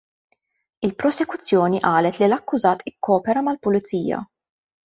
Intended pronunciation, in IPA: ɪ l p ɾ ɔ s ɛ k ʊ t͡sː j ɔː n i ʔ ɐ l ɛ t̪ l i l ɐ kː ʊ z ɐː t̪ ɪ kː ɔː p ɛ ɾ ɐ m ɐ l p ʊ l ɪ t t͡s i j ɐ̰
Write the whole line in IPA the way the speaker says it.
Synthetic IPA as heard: ɪ l p ɾ ɔ s ɛ k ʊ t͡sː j ɔː n i ʔ ɐː l ɛ t̪ l i l ɐ kː ʊ z ɐː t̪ ɪ kː ɔː p ɛ ɾ ɐ m ɐ l p ʊ l ɪ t t͡s iː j ɐ̰